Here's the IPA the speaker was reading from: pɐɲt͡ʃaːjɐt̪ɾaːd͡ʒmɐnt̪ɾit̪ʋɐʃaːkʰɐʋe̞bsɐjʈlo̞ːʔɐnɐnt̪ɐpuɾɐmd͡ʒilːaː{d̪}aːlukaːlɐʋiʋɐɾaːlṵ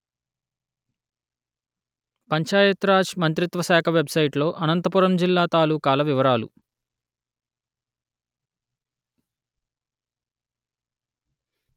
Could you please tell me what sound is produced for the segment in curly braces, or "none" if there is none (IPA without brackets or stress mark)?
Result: t̪